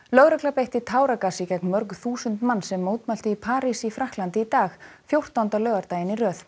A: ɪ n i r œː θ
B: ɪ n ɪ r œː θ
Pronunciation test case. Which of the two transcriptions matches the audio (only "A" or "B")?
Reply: A